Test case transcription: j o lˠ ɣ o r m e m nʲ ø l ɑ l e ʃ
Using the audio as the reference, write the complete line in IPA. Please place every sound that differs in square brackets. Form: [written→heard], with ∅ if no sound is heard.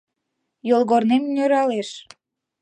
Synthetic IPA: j o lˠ ɣ o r [m→n] e m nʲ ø [l→ɾ] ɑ l e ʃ